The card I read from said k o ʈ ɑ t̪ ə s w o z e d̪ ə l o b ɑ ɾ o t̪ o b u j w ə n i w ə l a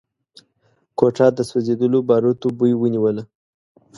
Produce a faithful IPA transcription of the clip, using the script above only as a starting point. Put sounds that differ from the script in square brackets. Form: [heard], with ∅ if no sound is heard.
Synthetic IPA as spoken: k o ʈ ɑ [d̪] ə s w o z e d̪ ə l o b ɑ ɾ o t̪ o b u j w ə n i w ə l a